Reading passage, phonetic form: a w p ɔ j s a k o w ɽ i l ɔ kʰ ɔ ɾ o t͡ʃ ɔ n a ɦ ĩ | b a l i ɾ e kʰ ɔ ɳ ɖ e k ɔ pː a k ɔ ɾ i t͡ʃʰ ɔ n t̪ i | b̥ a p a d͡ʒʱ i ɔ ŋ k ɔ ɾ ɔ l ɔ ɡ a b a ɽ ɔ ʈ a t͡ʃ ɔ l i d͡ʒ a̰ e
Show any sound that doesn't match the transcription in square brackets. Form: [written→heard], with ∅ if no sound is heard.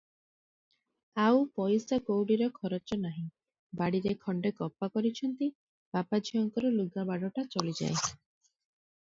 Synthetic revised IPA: a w p ɔ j s a k o w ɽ i [l→ɾ] ɔ kʰ ɔ ɾ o t͡ʃ ɔ n a ɦ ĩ | b a [l→ɽ] i ɾ e kʰ ɔ ɳ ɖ e k ɔ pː a k ɔ ɾ i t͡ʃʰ ɔ n t̪ i | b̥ a p a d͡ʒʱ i ɔ ŋ k ɔ ɾ ɔ l [ɔ→u] ɡ a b a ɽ ɔ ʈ a t͡ʃ ɔ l i d͡ʒ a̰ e